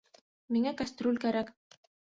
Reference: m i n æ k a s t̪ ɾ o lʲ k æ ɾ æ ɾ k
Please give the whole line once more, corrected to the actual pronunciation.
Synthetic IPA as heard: m i ŋ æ k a s t̪ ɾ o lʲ k æ ɾ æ k